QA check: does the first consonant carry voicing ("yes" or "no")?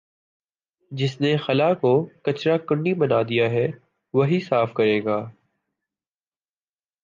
yes